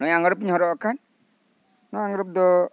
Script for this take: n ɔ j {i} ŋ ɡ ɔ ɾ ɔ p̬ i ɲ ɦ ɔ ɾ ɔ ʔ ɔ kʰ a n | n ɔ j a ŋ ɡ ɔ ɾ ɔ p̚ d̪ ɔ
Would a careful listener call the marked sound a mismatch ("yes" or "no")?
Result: yes